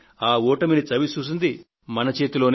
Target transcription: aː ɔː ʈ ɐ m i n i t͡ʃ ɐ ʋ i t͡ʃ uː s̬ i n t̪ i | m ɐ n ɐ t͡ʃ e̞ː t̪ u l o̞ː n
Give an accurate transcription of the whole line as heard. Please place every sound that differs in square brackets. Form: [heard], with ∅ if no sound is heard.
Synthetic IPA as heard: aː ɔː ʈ ɐ m i n i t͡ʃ ɐ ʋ i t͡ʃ uː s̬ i n [d̪] i | m ɐ n ɐ t͡ʃ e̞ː t̪ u l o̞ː n